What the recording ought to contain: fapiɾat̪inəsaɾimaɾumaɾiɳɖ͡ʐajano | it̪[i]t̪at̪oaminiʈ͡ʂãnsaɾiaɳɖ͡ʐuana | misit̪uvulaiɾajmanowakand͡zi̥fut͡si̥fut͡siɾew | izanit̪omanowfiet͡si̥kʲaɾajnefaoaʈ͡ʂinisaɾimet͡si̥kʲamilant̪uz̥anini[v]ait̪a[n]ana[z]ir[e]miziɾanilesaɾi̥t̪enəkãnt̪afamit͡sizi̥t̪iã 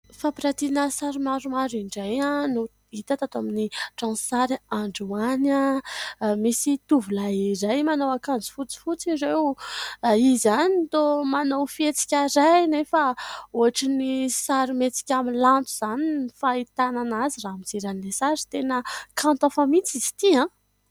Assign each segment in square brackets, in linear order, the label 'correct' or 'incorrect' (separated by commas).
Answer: incorrect, incorrect, correct, correct, incorrect